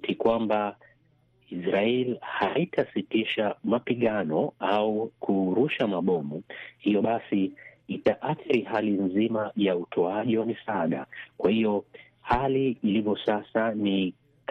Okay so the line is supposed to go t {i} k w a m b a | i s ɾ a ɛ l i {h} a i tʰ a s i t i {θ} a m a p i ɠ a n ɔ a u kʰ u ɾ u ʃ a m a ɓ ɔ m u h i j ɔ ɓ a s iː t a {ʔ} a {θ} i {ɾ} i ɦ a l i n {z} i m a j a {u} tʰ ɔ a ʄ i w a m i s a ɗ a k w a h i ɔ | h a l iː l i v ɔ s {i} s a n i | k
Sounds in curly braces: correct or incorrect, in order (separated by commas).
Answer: correct, correct, incorrect, correct, correct, correct, correct, correct, incorrect